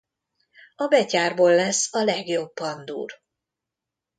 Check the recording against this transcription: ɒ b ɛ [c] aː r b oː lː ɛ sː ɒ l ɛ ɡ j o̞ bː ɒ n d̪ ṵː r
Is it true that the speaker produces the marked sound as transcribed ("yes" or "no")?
yes